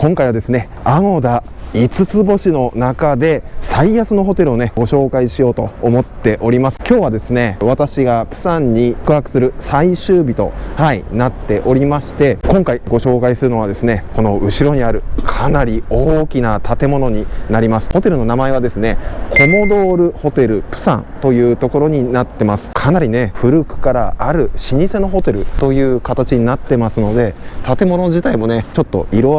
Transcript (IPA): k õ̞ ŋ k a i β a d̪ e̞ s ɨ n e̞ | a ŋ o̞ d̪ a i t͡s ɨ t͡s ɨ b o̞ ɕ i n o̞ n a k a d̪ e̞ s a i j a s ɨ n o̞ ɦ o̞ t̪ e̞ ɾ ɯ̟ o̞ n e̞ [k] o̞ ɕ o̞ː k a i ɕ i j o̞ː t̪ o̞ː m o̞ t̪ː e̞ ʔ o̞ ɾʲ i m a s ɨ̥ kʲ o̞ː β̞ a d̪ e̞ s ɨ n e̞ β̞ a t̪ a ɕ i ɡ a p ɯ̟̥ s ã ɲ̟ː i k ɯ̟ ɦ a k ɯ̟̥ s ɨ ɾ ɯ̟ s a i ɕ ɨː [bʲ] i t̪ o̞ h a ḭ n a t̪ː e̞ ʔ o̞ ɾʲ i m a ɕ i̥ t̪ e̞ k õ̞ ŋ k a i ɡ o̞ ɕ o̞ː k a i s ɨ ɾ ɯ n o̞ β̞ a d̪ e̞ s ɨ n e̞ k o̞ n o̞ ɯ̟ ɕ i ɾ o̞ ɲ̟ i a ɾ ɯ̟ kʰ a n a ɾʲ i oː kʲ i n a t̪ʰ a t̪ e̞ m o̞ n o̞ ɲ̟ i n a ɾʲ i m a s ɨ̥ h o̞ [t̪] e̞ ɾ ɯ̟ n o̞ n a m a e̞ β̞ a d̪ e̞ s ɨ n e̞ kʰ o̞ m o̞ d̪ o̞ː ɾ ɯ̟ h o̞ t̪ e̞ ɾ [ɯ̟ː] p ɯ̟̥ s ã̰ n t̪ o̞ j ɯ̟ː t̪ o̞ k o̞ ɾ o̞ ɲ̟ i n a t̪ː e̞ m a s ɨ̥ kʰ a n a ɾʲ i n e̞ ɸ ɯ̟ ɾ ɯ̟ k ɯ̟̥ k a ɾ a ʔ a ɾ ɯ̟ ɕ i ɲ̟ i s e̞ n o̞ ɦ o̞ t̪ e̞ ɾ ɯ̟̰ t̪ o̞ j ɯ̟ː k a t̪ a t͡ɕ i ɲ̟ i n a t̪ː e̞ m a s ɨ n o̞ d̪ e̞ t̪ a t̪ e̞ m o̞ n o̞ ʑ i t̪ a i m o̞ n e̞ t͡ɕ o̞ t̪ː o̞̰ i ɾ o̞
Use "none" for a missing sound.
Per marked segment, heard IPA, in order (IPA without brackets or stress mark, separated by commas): ɡ, bʲ, t̪, ɯ̟